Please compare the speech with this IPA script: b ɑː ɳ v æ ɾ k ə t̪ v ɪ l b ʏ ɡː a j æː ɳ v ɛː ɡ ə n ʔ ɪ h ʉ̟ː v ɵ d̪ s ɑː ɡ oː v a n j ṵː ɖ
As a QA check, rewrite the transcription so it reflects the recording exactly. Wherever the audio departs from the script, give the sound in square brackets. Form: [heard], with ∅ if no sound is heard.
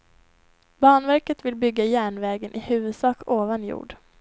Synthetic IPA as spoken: b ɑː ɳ v æ ɾ k ə t̪ v ɪ l b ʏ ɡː a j æː ɳ v ɛː ɡ ə n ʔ ɪ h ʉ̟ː v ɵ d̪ s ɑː [k] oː v a n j ṵː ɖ